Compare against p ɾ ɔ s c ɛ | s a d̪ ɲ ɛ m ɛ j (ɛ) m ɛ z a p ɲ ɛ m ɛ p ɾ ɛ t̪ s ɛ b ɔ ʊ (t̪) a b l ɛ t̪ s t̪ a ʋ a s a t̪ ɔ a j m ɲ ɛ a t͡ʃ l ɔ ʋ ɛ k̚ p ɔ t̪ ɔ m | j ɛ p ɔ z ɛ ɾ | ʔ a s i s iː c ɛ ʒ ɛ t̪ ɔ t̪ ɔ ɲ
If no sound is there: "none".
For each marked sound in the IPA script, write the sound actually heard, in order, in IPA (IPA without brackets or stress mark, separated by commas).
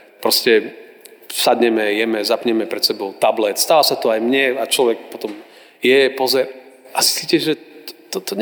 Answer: ɛ, t̪